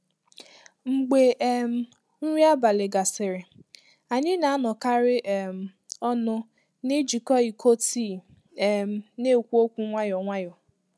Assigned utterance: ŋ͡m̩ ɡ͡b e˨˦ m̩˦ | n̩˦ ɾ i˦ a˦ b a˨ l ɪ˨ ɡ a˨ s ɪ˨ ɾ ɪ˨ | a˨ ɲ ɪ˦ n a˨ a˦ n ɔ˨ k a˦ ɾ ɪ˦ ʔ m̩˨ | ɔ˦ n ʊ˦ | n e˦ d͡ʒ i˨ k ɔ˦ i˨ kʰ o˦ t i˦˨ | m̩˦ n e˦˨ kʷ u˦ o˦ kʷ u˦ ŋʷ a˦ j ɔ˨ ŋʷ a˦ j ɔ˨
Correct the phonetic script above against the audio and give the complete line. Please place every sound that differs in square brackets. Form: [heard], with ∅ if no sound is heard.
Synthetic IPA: ŋ͡m̩ ɡ͡b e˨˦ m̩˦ | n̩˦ ɾ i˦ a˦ b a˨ l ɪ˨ ɡ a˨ s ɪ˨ ɾ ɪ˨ | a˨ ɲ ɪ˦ n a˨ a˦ n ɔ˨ k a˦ ɾ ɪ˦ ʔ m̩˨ | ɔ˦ n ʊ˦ | n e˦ d͡ʒ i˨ k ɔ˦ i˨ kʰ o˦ t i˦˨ | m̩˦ n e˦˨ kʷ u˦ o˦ kʷ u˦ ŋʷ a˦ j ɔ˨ ŋʷ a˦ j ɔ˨